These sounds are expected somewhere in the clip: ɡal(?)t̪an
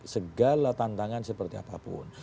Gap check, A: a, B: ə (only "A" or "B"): A